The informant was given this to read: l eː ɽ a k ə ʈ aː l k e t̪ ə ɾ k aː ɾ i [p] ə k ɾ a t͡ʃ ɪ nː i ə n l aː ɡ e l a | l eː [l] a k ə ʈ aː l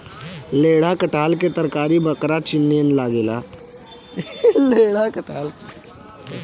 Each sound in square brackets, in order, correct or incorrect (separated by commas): incorrect, incorrect